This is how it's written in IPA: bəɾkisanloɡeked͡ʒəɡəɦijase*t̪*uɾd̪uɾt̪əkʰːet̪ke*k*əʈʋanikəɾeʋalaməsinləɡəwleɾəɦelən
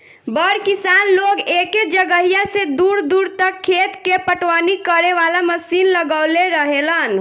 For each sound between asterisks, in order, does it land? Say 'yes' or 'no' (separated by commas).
no, no